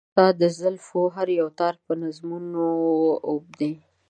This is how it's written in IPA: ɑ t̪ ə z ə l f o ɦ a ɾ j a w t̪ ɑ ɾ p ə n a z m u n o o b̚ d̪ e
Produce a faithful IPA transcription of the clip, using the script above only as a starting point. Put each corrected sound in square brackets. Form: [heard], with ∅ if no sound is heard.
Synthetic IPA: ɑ [d̪] ə z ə l f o ɦ a ɾ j a w t̪ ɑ ɾ p ə n a z m u n o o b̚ d̪ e